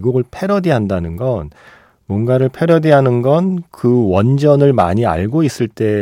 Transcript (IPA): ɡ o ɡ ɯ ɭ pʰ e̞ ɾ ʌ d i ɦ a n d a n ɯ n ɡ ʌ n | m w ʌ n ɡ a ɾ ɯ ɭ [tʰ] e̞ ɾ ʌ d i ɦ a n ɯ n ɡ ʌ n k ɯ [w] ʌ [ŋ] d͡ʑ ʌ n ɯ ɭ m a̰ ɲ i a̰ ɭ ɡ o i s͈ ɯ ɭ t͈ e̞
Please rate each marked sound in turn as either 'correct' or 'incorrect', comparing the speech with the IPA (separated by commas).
incorrect, correct, incorrect